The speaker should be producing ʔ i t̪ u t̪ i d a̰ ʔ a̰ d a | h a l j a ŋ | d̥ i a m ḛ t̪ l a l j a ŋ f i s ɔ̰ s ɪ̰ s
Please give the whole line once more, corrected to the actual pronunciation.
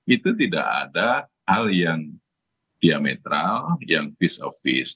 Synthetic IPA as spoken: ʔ i t̪ u t̪ i d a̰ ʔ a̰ d a | h a l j a ŋ | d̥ i a m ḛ t̪ ɾ a l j a ŋ f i s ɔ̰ f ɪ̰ s